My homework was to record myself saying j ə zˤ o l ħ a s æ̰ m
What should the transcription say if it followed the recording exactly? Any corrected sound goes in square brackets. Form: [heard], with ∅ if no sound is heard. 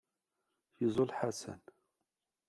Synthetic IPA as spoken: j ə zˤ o l ħ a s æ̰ [n]